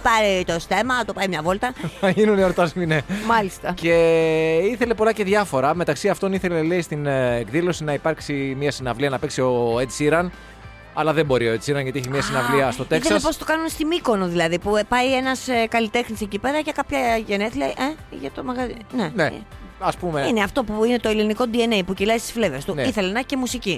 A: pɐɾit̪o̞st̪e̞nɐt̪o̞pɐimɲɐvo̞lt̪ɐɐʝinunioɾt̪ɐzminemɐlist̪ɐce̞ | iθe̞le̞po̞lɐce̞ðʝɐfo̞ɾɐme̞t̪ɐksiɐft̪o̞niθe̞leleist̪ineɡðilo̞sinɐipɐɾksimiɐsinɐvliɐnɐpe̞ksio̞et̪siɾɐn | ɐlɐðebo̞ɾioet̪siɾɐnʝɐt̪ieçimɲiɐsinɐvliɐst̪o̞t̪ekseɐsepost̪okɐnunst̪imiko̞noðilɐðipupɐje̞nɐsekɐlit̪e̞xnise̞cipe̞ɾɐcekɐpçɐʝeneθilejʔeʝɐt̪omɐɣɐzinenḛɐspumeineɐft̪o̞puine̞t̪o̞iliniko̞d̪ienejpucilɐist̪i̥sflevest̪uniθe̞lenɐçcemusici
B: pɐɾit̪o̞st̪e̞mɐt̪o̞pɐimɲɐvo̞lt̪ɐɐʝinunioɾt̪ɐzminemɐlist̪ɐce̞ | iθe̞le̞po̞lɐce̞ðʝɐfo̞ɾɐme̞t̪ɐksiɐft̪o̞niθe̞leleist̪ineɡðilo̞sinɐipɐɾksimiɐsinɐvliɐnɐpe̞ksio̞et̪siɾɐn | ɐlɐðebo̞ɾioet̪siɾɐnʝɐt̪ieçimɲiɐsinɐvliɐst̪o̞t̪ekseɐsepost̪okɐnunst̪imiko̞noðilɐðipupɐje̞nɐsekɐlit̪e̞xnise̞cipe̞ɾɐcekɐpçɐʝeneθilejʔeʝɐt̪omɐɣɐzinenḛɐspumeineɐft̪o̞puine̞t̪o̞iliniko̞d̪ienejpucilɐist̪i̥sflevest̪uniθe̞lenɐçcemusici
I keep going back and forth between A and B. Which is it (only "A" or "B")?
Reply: B